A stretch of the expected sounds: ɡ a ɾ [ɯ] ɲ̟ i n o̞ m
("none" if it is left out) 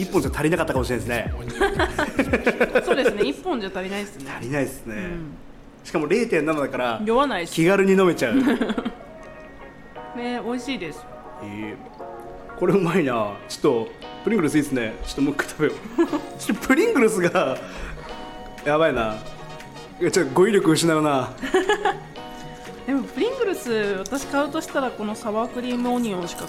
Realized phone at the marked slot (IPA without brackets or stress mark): ɯ